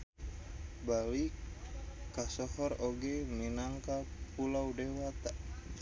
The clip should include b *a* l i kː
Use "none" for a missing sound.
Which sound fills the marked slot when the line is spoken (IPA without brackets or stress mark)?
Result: a